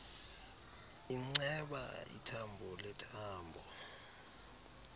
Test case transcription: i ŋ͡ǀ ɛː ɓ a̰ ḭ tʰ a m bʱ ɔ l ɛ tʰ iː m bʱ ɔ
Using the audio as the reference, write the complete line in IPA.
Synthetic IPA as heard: i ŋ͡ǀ ɛ ɓ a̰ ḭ tʰ a m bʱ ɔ l ɛ tʰ aː m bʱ ɔ